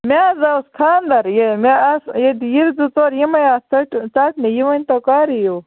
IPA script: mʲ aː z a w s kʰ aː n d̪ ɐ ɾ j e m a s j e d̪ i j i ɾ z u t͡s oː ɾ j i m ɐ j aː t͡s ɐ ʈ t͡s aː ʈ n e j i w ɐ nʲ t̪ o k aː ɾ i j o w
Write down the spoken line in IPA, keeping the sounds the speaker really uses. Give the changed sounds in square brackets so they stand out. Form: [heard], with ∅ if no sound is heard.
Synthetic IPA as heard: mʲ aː z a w s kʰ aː n d̪ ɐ ɾ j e m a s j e d̪ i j i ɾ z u t͡s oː ɾ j i m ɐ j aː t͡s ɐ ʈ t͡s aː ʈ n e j i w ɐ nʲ t̪ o k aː ɾ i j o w

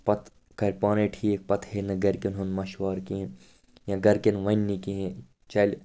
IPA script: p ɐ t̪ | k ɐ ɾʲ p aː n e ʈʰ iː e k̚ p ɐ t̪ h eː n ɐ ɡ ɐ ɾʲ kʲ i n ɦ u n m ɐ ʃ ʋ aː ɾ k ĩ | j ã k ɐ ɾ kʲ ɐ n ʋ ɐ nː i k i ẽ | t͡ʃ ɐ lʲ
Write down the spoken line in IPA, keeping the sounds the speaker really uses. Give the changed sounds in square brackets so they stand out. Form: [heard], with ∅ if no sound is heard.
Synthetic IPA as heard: p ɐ t̪ | k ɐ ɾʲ p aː n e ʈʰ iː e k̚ p ɐ t̪ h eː n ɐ ɡ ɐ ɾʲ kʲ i n ɦ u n m ɐ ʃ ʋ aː ɾ k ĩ | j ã [ɡ] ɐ ɾ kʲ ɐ n ʋ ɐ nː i k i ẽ | t͡ʃ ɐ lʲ

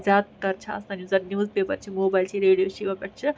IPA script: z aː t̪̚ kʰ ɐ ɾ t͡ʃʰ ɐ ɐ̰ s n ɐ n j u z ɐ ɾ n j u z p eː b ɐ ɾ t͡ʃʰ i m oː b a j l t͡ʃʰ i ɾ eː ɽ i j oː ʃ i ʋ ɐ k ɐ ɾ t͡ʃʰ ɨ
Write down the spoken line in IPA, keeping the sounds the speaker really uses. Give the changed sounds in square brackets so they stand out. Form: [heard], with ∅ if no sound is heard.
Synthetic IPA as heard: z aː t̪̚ [k] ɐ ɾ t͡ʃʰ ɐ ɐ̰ s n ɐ n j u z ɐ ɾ n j u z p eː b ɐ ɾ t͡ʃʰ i m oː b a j l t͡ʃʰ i ɾ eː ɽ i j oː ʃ i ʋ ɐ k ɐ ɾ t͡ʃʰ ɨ

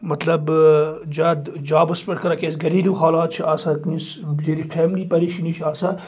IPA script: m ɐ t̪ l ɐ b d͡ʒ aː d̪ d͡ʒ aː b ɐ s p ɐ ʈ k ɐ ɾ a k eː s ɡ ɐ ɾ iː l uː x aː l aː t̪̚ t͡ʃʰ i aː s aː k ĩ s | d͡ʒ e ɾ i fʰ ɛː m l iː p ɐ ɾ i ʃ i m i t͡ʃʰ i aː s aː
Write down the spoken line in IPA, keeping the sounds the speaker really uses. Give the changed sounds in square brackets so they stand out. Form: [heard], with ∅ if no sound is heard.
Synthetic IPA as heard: m ɐ t̪ l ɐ b d͡ʒ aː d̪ d͡ʒ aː b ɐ s p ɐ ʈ k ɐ ɾ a k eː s ɡ ɐ ɾ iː l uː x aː l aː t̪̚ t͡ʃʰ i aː s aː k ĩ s | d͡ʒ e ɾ i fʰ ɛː m l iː p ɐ ɾ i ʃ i [n] i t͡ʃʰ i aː s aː

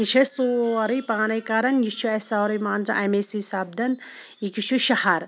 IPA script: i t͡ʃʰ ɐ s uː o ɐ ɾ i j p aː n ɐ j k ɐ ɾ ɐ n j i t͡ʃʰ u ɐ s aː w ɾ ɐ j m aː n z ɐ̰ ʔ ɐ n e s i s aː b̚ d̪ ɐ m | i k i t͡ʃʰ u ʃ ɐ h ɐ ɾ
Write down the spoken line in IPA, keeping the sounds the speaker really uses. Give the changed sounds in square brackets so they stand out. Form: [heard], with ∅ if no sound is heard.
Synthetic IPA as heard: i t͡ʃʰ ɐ s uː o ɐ ɾ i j p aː n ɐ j k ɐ ɾ ɐ n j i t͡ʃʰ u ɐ s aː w ɾ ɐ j m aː n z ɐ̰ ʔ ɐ [m] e s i s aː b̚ d̪ ɐ [n] | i k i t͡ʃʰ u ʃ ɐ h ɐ ɾ

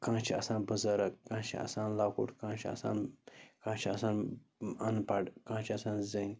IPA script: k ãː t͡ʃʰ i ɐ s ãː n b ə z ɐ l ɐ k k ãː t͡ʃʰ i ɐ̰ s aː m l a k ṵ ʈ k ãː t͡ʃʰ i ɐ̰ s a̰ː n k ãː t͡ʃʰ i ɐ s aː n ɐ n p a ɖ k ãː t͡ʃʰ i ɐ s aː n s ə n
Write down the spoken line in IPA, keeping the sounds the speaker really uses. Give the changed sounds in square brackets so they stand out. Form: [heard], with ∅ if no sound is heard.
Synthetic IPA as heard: k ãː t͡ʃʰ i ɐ s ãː n b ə z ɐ [ɾ] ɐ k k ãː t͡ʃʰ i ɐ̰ s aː [n] l a k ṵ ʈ k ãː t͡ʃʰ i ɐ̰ s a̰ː n k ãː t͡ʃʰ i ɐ s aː n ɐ n p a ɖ k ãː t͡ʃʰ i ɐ s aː n [z] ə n

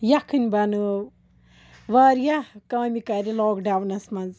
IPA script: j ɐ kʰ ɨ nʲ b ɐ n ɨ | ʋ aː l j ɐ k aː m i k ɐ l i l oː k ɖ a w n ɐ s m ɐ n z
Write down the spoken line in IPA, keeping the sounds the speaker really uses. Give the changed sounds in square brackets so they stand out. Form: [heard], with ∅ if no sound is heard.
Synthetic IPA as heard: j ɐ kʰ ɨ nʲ b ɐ n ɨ | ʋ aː [ɾ] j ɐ k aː m i k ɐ [ɾ] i l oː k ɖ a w n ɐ s m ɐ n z

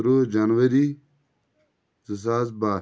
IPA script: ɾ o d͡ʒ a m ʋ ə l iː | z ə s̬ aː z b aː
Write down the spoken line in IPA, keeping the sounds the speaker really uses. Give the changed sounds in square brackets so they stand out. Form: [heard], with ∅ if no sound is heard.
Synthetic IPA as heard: ɾ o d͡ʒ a [n] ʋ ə [ɾ] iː | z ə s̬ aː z b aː

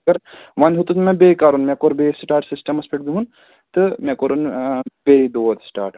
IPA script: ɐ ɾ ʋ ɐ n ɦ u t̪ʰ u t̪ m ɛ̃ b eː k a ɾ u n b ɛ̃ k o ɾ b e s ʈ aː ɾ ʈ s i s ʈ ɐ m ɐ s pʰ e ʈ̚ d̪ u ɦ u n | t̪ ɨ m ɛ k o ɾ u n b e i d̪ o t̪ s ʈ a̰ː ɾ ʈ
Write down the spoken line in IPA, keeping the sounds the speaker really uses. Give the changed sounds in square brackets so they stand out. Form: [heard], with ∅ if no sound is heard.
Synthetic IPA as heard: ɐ ɾ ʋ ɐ n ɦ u [t̪] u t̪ m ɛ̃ b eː k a ɾ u n [m] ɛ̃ k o ɾ b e s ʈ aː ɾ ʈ s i s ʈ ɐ m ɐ s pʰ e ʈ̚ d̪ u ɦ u n | t̪ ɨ m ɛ k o ɾ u n b e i d̪ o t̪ s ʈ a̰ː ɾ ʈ

